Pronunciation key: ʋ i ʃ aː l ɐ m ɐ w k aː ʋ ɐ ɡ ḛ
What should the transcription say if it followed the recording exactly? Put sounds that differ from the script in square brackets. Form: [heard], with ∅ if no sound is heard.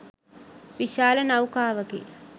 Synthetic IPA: ʋ i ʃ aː l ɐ [n] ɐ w k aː ʋ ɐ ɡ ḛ